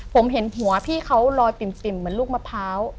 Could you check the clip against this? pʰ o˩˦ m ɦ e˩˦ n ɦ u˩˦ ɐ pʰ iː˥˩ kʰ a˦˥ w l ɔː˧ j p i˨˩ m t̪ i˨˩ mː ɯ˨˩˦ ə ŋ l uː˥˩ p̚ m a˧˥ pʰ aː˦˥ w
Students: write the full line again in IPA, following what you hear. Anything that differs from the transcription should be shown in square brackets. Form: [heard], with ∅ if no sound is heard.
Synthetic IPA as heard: pʰ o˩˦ m ɦ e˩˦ n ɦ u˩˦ ɐ pʰ iː˥˩ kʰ a˦˥ w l ɔː˧ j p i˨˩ m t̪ i˨˩ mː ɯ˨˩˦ ə [n] l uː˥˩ [k̚] m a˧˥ pʰ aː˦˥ w